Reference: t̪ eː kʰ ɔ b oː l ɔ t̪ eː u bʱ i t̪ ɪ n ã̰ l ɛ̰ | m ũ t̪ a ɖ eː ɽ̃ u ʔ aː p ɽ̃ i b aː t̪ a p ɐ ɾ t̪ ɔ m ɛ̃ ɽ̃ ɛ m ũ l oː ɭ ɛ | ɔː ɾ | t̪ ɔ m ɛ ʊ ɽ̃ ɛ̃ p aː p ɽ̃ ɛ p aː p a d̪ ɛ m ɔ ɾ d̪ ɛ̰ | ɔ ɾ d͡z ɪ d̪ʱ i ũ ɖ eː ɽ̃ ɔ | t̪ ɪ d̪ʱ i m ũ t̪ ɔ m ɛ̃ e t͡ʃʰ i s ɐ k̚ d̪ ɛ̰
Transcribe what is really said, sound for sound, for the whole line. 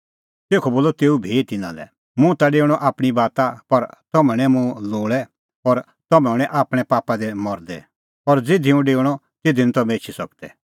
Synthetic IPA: t̪ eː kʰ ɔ b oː l ɔ t̪ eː u bʱ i t̪ ɪ n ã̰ l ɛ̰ | m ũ t̪ a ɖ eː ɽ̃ ɔ ʔ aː p ɽ̃ i b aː t̪ a p ɐ ɾ t̪ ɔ m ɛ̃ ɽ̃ ɛ m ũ l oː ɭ ɛ | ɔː ɾ | t̪ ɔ m ɛ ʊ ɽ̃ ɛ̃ ʔ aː p ɽ̃ ɛ p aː p a d̪ ɛ m ɔ ɾ d̪ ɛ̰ | ɔ ɾ d͡z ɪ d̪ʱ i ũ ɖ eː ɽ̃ ɔ | t̪ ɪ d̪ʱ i n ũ t̪ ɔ m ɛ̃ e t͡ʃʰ i s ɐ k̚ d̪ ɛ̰